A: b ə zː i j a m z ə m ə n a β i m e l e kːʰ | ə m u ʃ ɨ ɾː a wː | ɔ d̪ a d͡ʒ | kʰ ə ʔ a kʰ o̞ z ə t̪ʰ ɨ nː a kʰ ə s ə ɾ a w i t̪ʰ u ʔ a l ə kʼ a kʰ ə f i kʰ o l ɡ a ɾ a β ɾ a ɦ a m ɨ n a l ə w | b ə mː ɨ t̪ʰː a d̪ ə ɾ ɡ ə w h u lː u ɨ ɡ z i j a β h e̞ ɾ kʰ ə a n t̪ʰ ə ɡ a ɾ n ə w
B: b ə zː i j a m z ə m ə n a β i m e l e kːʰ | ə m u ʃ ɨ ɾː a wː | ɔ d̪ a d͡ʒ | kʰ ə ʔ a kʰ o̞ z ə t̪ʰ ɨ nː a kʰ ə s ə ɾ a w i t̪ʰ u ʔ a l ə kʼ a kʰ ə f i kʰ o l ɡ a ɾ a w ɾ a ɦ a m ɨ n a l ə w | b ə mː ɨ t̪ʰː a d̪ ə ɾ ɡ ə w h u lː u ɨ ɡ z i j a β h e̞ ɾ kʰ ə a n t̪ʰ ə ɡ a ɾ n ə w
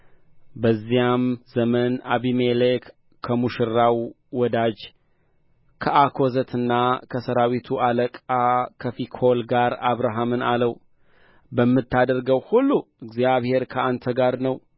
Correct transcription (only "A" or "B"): A